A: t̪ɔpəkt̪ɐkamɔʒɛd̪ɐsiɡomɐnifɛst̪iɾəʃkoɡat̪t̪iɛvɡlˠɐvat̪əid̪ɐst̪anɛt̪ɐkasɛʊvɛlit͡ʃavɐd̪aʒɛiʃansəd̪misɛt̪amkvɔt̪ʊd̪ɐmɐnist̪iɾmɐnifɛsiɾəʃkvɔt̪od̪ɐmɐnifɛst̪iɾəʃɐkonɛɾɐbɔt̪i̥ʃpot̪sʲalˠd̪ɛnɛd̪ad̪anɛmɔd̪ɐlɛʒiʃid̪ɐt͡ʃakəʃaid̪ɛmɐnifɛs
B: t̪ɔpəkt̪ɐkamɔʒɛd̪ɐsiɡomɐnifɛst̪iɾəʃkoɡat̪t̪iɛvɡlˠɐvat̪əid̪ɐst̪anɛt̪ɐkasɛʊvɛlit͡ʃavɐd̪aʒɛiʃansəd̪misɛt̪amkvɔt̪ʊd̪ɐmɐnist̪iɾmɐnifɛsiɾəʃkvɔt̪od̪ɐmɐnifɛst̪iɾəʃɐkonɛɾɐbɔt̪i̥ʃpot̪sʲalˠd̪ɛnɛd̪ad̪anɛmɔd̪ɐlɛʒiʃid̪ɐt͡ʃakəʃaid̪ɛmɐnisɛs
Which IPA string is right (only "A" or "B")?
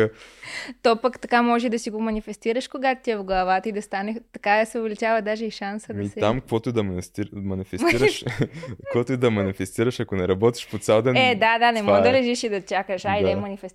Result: A